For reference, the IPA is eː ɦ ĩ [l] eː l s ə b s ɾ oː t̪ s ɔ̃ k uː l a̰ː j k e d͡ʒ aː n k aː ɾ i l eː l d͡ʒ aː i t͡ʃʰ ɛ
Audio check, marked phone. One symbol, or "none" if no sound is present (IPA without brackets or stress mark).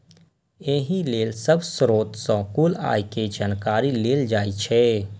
l